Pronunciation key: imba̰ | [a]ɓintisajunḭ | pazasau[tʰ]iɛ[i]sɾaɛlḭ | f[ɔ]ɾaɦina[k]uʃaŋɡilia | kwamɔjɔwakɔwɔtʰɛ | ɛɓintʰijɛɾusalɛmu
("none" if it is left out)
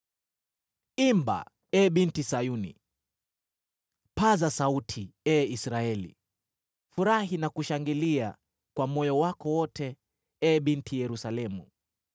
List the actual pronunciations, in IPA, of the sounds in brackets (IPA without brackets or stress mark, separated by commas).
ɛ, tʰ, i, u, k